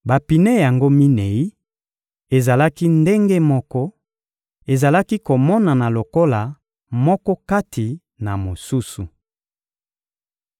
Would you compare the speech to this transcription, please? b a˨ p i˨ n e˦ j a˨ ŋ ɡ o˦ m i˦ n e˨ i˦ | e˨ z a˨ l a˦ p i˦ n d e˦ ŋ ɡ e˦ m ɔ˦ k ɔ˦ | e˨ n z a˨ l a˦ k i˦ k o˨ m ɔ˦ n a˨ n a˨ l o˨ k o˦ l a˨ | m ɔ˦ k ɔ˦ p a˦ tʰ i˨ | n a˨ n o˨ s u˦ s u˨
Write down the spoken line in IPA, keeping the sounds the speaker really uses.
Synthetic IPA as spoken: b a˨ p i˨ n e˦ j a˨ ŋ ɡ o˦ m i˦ n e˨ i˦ | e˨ z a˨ l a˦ k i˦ n d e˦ ŋ ɡ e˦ m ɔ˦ k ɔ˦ | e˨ z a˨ l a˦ k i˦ k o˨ m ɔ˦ n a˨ n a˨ l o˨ k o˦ l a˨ | m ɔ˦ k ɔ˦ k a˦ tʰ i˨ | n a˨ m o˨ s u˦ s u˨